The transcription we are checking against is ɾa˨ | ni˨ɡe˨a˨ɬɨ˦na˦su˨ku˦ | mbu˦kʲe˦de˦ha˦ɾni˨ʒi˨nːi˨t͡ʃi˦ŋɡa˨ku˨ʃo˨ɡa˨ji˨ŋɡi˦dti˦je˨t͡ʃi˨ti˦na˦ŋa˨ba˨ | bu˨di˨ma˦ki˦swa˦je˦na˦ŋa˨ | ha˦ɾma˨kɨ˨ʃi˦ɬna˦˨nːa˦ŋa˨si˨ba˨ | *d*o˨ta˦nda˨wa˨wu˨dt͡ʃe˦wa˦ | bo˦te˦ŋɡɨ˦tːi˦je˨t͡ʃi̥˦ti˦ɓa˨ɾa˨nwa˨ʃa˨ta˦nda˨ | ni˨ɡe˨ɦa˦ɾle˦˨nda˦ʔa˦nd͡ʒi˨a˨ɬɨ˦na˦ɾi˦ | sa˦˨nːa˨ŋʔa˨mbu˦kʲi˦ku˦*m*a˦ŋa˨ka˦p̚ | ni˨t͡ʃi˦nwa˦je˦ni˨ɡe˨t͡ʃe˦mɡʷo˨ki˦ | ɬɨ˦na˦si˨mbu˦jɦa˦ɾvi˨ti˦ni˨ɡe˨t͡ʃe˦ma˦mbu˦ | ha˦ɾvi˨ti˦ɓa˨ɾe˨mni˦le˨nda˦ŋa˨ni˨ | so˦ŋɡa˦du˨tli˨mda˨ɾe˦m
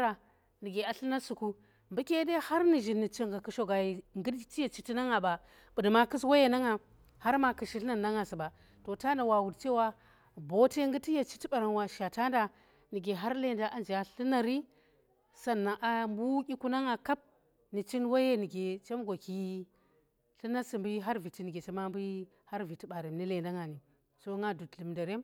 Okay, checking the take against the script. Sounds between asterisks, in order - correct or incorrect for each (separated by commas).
incorrect, incorrect